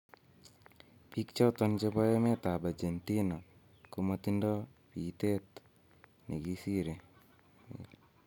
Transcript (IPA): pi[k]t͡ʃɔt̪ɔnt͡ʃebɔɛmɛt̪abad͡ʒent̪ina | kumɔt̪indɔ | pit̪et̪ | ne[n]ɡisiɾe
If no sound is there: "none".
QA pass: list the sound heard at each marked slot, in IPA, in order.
k, none

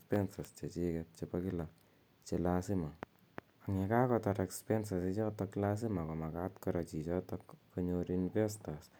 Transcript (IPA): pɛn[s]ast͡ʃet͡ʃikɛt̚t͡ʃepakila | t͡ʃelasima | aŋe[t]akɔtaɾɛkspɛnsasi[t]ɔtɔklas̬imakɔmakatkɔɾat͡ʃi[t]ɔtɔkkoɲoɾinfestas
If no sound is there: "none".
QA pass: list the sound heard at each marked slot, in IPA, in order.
s, k, t͡ʃ, t͡ʃ

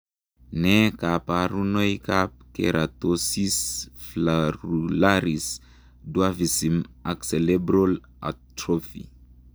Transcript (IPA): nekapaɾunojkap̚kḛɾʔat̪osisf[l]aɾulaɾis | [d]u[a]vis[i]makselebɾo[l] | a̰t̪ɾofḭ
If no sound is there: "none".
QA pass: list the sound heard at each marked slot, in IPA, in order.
l, d, a, i, l

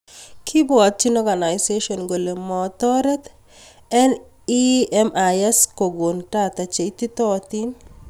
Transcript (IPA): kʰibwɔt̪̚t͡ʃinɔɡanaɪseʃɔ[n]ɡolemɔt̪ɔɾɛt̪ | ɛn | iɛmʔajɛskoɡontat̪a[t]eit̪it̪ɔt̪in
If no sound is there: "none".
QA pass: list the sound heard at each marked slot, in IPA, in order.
n, t͡ʃ

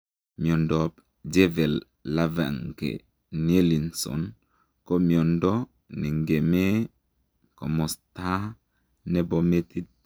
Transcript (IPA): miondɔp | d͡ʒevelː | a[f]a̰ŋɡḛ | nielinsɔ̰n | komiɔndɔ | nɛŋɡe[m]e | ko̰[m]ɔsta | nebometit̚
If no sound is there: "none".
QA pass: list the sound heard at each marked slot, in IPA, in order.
v, m, m

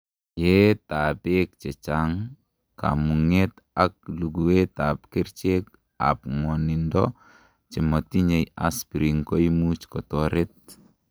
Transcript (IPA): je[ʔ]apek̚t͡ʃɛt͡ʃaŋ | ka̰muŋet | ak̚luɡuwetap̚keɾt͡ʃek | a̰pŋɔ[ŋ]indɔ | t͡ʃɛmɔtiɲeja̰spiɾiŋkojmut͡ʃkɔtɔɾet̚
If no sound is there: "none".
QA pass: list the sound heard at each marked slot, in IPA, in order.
t, n

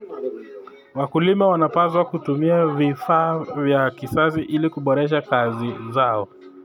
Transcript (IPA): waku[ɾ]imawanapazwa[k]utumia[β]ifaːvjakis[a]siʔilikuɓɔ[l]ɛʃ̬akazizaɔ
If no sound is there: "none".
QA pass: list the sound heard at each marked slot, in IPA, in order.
l, k, v, a, ɾ

